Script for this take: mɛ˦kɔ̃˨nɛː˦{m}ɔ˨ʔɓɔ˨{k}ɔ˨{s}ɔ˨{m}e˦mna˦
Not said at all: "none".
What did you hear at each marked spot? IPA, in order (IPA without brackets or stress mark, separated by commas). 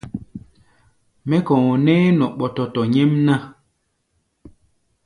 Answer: n, t, t, ɲ